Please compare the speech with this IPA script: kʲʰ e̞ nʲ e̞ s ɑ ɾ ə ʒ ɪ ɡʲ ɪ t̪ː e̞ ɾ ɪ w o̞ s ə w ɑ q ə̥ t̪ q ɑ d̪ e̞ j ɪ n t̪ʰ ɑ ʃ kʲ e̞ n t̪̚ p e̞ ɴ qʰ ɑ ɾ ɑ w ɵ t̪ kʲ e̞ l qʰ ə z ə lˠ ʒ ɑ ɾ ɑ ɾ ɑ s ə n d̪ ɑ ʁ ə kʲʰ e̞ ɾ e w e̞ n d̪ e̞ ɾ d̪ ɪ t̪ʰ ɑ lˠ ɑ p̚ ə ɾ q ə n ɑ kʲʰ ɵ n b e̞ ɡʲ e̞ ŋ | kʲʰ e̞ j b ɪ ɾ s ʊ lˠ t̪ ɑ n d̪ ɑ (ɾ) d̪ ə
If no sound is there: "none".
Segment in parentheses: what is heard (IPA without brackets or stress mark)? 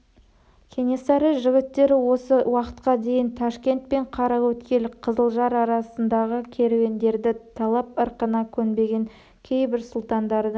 ɾ